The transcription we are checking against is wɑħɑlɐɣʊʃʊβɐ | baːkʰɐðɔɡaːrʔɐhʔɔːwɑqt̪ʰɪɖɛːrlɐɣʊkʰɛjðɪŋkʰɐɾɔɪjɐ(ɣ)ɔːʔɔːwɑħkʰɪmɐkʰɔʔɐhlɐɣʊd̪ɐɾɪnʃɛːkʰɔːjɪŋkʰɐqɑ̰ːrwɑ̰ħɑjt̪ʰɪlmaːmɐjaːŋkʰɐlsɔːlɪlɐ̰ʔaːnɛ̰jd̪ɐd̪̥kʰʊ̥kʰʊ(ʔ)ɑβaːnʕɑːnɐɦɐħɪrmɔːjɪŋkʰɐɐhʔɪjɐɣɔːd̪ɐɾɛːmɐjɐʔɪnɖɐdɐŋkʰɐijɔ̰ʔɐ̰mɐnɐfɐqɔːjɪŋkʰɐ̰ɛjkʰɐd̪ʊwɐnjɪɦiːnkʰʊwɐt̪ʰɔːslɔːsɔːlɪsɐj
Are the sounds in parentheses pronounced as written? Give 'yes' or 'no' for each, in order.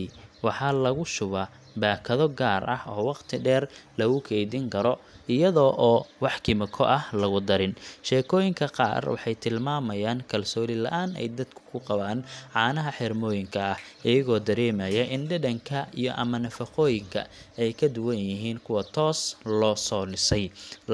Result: no, no

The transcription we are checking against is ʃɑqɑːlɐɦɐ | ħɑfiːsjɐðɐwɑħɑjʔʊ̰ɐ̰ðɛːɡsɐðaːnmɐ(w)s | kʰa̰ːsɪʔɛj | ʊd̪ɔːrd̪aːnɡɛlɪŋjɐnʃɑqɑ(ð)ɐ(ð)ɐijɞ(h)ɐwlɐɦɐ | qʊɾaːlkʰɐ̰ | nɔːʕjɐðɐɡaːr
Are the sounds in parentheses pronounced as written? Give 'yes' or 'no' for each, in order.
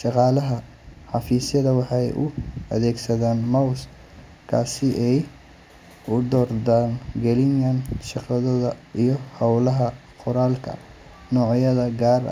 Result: yes, yes, yes, yes

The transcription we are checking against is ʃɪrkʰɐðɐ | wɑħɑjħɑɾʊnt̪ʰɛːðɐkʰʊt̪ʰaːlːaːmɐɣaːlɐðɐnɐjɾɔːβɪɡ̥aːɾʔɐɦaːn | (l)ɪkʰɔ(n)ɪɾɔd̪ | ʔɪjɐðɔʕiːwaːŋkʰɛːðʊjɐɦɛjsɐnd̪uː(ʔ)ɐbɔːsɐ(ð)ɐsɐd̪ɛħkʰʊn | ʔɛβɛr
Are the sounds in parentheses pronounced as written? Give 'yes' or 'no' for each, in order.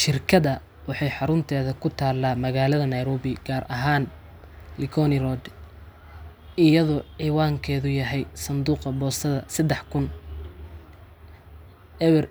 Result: yes, yes, no, yes

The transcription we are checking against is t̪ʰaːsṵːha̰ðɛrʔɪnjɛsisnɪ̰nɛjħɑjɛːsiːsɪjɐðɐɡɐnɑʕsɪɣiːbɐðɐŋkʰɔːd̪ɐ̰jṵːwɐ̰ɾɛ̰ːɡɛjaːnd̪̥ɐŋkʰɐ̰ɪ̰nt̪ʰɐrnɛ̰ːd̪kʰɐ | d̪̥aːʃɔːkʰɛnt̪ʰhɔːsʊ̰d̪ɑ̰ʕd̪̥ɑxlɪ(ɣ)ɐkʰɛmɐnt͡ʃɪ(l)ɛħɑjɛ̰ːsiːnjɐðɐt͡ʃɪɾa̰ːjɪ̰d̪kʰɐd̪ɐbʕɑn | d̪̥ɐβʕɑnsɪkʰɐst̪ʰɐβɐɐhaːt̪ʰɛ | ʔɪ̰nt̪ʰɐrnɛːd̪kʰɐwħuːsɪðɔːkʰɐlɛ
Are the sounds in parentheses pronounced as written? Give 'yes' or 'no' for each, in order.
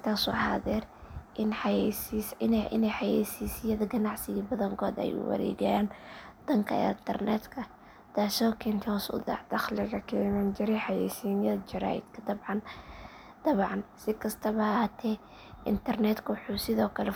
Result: yes, no

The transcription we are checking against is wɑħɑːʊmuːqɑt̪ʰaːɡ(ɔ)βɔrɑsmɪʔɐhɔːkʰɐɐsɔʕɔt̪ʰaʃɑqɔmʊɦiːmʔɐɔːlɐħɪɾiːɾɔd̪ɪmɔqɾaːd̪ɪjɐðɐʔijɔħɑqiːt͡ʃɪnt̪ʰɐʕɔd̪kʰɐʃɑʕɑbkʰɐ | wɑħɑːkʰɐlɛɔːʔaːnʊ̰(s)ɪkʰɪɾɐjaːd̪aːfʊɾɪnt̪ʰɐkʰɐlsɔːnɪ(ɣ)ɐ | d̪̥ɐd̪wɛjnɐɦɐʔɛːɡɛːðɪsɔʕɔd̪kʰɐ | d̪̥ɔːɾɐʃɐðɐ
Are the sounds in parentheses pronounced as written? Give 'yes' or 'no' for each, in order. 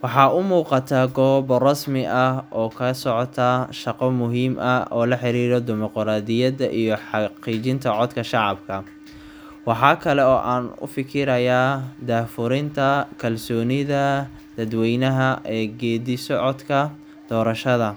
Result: no, no, no

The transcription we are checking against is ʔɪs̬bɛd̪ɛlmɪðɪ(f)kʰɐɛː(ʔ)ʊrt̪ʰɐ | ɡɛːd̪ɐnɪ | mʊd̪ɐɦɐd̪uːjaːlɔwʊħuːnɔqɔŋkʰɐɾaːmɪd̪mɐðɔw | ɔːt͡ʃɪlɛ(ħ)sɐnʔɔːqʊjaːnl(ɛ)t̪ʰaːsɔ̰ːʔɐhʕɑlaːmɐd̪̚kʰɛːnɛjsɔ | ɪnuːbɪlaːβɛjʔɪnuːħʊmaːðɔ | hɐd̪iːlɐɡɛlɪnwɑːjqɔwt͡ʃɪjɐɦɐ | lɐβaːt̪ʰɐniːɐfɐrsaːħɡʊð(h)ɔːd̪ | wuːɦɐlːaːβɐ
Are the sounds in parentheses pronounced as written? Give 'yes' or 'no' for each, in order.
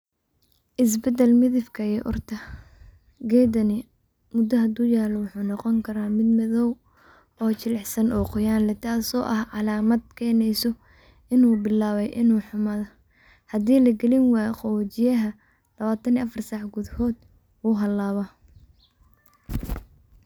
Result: yes, yes, yes, yes, yes

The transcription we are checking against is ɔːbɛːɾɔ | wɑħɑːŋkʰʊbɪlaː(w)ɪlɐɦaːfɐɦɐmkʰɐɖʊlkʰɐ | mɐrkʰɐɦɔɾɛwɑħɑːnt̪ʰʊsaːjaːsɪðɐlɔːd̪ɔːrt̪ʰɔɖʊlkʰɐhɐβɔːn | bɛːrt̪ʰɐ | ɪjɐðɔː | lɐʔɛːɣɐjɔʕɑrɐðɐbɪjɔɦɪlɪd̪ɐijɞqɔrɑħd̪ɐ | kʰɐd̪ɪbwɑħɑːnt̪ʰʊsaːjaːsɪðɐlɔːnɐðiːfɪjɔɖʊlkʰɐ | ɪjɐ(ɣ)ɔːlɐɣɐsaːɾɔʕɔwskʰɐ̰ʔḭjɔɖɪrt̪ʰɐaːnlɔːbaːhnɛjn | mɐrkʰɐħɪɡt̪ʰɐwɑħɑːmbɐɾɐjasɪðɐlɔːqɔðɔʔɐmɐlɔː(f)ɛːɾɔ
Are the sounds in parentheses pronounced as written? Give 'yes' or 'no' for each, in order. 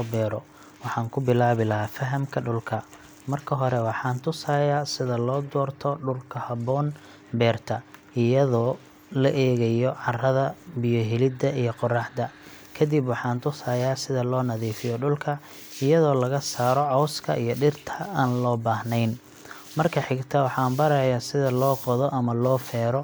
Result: no, no, yes

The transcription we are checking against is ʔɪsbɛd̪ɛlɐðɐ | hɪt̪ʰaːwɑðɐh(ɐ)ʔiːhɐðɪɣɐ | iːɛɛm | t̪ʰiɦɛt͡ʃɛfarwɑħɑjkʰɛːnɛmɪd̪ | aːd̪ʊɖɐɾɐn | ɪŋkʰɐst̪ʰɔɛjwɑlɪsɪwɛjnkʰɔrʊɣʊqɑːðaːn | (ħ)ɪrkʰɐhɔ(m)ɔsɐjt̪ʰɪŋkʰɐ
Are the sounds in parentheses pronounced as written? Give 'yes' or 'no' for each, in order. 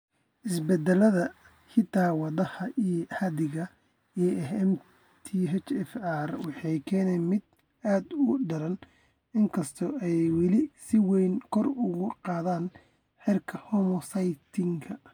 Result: yes, yes, yes

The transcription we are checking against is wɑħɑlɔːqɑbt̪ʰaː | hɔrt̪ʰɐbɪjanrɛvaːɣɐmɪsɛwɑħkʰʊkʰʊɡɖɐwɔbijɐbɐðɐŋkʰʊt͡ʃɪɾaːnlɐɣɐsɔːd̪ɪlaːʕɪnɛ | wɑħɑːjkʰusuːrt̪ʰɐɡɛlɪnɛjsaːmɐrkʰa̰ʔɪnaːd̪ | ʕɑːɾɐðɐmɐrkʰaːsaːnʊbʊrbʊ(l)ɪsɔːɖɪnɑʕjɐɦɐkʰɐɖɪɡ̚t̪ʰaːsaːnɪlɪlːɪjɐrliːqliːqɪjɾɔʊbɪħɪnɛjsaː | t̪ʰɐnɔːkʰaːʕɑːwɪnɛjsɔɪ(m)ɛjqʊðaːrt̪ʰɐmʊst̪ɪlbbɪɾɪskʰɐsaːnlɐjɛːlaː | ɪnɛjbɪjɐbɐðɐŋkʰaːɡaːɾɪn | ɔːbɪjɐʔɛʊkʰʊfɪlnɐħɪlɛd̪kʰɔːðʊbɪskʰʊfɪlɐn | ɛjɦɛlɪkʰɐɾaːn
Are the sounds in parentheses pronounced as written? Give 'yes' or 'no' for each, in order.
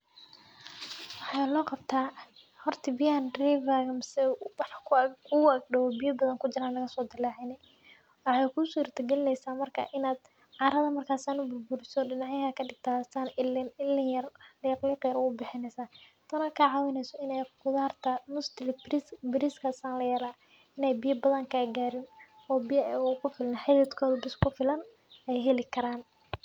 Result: no, no

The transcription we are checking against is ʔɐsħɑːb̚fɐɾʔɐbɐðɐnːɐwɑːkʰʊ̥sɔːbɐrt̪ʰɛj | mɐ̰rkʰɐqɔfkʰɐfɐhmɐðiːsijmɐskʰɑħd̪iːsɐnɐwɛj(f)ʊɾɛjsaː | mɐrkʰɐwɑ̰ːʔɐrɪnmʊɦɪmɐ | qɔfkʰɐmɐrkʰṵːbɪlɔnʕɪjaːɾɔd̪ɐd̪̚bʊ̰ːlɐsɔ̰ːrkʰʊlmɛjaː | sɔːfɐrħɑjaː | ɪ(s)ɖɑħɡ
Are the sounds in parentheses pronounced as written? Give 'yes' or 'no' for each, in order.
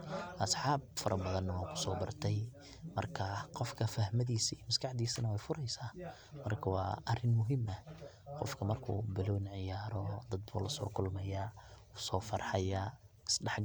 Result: yes, yes

